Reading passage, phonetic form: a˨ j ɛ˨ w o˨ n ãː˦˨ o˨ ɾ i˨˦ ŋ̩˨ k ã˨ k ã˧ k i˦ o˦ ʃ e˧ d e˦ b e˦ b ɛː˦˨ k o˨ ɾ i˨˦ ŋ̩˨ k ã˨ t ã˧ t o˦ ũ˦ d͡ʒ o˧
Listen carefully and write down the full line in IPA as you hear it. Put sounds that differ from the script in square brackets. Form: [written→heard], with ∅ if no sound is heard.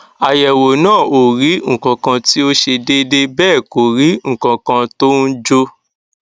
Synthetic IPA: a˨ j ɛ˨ w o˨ n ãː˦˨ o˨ ɾ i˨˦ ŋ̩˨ k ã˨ k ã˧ [k→t] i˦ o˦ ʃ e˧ d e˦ [b→d] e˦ b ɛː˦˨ k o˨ ɾ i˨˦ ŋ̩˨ k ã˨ [t→k] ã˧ t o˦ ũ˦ d͡ʒ o˧